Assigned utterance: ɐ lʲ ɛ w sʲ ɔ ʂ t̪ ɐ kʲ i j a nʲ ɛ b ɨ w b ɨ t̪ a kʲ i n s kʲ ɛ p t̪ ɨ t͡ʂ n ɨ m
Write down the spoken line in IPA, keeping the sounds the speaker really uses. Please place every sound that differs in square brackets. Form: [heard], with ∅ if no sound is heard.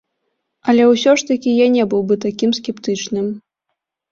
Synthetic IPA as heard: ɐ lʲ ɛ w sʲ ɔ ʂ t̪ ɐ kʲ i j a nʲ ɛ b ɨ w b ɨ t̪ a kʲ i [m] s kʲ ɛ p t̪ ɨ t͡ʂ n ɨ m